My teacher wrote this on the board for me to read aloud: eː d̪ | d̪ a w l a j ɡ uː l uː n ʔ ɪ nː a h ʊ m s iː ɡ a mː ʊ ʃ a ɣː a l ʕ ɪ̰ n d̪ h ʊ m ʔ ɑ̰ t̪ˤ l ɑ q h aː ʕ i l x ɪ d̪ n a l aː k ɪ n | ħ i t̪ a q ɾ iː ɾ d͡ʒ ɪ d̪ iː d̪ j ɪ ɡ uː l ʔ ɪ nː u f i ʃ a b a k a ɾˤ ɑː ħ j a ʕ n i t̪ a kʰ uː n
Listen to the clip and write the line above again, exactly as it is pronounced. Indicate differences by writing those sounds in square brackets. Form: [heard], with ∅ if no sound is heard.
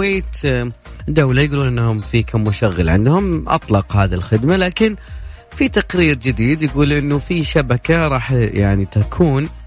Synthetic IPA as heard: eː [t̪] | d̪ a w l a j ɡ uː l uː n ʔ ɪ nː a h ʊ m [f] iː [k] a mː ʊ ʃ a ɣː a l ʕ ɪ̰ n d̪ h ʊ m ʔ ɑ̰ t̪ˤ l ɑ q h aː [ð] i l x ɪ d̪ [m] a l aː k ɪ n | [f] i t̪ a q ɾ iː ɾ d͡ʒ ɪ d̪ iː d̪ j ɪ ɡ uː l ʔ ɪ nː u f i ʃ a b a k a ɾˤ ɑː ħ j a ʕ n i t̪ a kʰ uː n